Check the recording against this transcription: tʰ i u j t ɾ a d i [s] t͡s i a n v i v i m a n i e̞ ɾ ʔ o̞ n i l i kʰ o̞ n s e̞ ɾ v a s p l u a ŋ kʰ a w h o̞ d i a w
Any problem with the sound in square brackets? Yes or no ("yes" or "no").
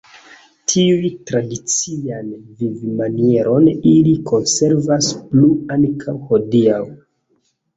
yes